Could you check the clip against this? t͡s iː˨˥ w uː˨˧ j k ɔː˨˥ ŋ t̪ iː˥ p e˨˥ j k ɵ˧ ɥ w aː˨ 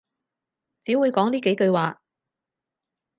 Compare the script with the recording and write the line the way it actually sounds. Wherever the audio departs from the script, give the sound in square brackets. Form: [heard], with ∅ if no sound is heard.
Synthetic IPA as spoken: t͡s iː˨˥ w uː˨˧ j k ɔː˨˥ ŋ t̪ iː˥ [k] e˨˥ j k ɵ˧ ɥ w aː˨